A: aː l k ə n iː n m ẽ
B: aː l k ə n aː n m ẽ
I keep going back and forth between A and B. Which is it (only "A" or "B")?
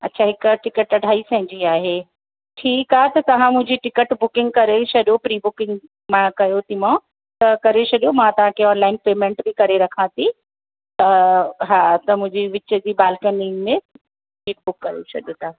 A